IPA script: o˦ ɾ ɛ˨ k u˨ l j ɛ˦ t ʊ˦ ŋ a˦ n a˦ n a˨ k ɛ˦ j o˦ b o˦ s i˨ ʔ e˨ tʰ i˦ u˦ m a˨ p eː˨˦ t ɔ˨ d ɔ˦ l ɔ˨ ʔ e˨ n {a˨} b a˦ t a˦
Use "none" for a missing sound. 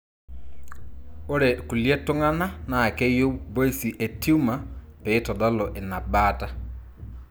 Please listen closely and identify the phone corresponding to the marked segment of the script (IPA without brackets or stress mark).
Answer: a˨